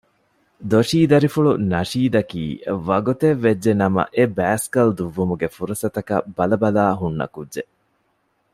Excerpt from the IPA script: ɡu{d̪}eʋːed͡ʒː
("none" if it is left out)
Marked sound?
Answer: t̪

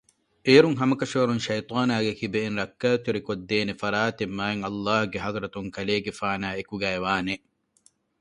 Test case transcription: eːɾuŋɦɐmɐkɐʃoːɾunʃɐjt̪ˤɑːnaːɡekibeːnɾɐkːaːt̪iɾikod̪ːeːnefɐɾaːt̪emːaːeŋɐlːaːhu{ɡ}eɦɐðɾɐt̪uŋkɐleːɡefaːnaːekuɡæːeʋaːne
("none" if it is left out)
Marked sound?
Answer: ɡ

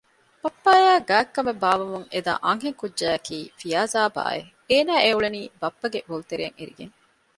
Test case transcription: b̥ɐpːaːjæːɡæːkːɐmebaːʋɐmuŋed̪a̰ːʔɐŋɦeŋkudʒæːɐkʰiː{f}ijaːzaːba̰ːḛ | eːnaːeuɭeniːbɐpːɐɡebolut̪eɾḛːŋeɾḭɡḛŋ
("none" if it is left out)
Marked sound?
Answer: f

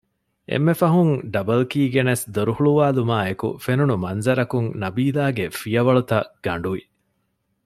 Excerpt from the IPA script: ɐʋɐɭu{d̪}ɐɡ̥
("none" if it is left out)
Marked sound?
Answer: t̪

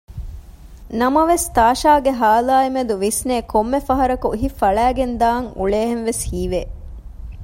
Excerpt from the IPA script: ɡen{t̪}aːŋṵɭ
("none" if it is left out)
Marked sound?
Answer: d̪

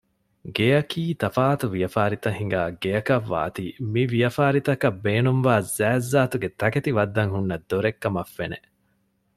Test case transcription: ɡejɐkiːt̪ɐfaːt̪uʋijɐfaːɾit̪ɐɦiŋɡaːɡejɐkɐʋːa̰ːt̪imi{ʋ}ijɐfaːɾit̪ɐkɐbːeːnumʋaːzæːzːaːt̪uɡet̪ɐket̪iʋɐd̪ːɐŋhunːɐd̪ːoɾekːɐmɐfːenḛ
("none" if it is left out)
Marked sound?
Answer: ʋ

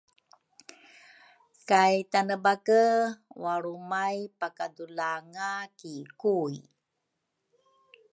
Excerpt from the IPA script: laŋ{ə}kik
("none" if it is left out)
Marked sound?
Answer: a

